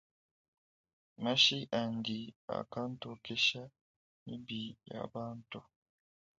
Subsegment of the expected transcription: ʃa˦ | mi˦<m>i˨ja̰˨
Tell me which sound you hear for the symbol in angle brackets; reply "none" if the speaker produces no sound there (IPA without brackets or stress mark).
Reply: b